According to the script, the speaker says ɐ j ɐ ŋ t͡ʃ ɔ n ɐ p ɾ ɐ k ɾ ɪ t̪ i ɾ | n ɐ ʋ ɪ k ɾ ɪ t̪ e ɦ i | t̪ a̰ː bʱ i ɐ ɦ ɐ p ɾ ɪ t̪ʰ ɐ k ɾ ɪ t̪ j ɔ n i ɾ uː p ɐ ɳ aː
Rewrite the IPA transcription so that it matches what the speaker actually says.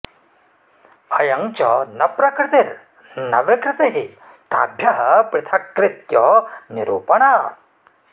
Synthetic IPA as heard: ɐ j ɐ ŋ t͡ʃ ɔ n ɐ p ɾ ɐ k ɾ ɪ t̪ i ɾ | n ɐ ʋ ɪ k ɾ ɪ t̪ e ɦ i | t̪ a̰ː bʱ j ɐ ɦ ɐ p ɾ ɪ t̪ʰ ɐ k ɾ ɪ t̪ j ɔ n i ɾ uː p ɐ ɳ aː